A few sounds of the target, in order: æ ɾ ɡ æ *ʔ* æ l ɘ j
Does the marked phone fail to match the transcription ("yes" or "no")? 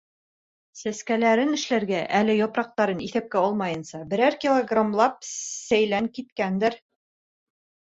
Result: no